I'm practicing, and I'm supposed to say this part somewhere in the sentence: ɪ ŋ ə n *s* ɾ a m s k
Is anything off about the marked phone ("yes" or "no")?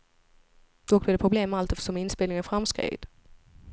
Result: yes